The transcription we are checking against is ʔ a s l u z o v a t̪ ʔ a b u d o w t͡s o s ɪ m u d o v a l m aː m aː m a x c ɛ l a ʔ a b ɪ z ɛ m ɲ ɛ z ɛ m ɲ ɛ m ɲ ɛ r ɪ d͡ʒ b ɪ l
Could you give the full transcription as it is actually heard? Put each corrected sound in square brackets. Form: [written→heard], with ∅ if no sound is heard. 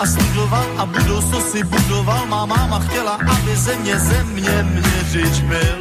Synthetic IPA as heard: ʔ a s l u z o v a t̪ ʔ a b u d o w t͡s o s ɪ [m→b] u d o v a l m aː m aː m a x c ɛ l a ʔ a b ɪ z ɛ m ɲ ɛ z ɛ m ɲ ɛ m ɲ ɛ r ɪ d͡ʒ b ɪ l